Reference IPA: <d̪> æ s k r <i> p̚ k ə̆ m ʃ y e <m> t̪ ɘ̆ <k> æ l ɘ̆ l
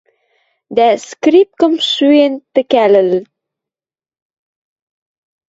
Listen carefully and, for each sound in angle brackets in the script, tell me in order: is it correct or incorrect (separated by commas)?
correct, correct, incorrect, correct